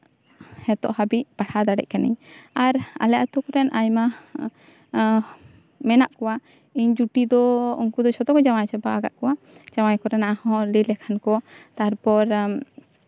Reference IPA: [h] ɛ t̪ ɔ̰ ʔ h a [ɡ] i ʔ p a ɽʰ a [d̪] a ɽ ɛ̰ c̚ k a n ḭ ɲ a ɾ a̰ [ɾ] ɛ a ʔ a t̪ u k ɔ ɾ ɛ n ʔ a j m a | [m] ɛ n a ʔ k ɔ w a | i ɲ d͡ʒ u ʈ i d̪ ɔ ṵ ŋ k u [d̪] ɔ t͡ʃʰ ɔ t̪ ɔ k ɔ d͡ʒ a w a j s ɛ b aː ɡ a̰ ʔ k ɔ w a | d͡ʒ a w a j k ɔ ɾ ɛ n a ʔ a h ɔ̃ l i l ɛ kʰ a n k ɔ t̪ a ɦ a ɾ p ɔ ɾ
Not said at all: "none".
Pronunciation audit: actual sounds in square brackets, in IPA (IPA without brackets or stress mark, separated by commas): h, b, d̪, l, m, d̪